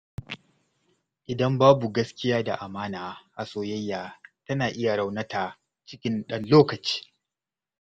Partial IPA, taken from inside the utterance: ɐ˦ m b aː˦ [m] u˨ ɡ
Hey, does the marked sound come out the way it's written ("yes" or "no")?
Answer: no